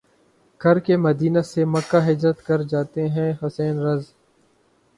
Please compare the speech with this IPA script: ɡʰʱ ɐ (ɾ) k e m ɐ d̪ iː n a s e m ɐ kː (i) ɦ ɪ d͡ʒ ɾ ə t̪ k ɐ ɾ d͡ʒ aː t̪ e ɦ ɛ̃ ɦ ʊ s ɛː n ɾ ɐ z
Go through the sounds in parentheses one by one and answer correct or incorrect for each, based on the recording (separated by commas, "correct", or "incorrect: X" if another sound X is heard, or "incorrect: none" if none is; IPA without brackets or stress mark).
correct, incorrect: a